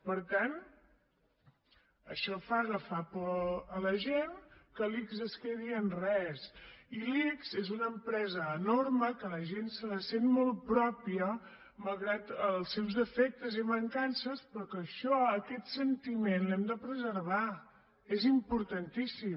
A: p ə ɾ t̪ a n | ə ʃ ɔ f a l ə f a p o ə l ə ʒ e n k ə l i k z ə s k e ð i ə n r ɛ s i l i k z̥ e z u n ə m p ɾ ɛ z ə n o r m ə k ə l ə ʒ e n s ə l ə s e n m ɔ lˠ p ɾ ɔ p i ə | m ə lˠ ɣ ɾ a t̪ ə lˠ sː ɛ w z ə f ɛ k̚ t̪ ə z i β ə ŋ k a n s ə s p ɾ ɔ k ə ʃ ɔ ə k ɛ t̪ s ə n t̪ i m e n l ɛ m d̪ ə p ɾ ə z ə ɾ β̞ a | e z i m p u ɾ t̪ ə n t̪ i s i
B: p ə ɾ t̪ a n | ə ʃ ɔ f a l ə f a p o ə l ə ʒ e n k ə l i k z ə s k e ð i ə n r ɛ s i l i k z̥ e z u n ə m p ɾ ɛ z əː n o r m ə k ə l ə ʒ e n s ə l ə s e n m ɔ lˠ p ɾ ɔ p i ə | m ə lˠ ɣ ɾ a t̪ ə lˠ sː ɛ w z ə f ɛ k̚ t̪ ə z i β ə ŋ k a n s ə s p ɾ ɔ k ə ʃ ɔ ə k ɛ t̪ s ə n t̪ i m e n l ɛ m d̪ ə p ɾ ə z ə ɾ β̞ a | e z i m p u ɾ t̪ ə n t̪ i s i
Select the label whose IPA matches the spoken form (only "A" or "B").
B